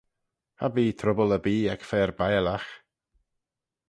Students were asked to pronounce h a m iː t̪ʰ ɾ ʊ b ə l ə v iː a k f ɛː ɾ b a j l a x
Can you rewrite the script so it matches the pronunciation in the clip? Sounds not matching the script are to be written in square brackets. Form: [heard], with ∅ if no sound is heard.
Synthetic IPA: h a [b] iː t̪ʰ ɾ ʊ b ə l ə [b] iː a k f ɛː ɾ b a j l a x